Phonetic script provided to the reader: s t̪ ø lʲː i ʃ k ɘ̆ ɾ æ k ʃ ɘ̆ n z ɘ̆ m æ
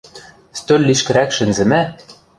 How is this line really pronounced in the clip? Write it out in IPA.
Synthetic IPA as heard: s t̪ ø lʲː i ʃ k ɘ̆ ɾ æ k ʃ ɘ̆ n z ɘ̆ m æ